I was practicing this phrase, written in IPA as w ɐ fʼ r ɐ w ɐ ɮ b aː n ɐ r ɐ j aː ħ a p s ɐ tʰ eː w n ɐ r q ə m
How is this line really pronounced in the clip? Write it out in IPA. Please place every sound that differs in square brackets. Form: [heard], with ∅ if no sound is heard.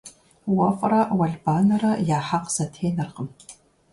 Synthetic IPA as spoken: w ɐ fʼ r ɐ w ɐ ɮ b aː n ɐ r ɐ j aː ħ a [q] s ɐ tʰ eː [∅] n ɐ r q ə m